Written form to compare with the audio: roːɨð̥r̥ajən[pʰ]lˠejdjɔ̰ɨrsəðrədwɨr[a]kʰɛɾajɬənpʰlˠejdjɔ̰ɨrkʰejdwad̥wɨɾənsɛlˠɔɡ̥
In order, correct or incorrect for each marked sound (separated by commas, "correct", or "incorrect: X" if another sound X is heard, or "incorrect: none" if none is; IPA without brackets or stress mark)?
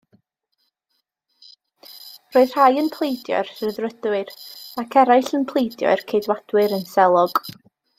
correct, correct